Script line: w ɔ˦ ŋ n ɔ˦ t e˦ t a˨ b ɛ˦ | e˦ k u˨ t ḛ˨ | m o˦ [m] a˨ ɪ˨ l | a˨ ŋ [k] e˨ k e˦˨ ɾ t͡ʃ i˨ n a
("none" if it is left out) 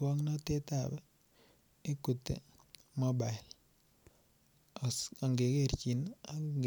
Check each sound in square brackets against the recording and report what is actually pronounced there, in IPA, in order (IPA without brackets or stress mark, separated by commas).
b, ɡ